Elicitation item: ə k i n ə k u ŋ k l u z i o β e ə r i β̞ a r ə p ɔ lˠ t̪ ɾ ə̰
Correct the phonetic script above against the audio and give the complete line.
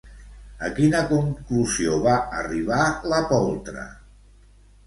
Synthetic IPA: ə k i n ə k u ŋ k l u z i o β a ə r i β̞ a l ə p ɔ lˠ t̪ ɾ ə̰

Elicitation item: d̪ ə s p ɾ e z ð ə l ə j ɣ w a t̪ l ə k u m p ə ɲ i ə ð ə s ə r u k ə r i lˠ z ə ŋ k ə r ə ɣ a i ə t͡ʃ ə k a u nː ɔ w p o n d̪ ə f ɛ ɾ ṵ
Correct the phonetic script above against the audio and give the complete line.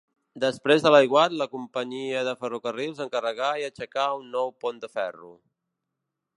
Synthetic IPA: d̪ ə s p ɾ e z ð ə l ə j ɣ w a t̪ l ə k u m p ə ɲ i ə ð ə f ə r u k ə r i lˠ z ə ŋ k ə r ə ɣ a i ə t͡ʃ ə k a u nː ɔ w p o n d̪ ə f ɛ r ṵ

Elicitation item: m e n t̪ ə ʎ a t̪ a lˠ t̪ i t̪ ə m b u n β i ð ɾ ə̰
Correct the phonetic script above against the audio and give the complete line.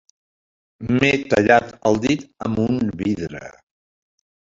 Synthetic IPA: m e t̪ ə ʎ a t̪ ə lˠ d̪ i t̪ ə m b u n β i ð ɾ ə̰

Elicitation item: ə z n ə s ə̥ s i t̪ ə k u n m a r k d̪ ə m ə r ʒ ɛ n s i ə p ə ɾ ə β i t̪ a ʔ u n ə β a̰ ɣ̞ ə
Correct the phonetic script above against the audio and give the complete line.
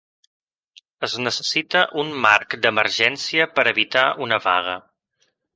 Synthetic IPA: ə z n ə s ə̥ s i t̪ ə ʔ u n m a r k d̪ ə m ə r ʒ ɛ n s i ə p ə ɾ ə β i t̪ a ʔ u n ə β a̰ ɣ̞ ə

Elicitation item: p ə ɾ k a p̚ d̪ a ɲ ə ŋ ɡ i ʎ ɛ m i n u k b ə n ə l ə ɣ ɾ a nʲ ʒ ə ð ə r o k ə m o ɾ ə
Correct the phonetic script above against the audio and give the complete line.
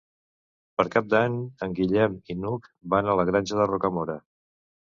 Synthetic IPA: p ə ɾ k a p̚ d̪ a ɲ ə ŋ ɡ i ʎ ɛ m i n u k b a n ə l ə ɣ ɾ a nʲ ʒ ə ð ə r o k ə m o ɾ ə

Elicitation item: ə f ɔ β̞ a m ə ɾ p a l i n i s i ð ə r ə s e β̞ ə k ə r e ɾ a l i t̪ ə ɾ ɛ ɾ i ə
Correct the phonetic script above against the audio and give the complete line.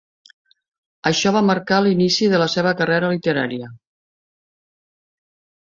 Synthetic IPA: ə ʃ ɔ β̞ a m ə ɾ k a l i n i s i ð ə l ə s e β̞ ə k ə r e ɾ ə l i t̪ ə ɾ a ɾ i ə

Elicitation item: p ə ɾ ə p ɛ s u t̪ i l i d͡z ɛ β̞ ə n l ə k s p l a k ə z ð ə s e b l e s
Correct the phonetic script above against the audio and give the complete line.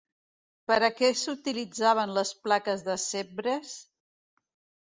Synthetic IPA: p ə ɾ ə k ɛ s u t̪ i l i d͡z a β̞ ə n l ə s p l a k ə z ð ə s e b ɾ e s

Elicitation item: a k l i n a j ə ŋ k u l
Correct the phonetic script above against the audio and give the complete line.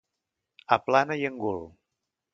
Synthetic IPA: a p l a n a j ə ŋ ɡ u l

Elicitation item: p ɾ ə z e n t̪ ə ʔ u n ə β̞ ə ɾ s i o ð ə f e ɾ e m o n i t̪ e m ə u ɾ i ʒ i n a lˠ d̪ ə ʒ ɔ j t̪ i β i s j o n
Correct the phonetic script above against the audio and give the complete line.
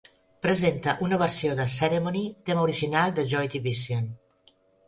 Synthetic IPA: p ɾ ə z e n t̪ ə ʔ u n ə β̞ ə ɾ s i o ð ə s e ɾ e m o n i t̪ e m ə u ɾ i ʒ i n a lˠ d̪ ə ʒ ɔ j t̪ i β i s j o n

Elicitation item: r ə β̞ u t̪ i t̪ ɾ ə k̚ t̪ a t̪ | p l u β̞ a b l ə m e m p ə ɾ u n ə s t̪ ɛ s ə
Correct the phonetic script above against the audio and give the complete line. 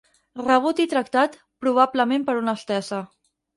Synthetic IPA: r ə β̞ u t̪ i t̪ ɾ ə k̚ t̪ a t̪ | p ɾ u β̞ a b l ə m e m p ə ɾ u n ə s t̪ ɛ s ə

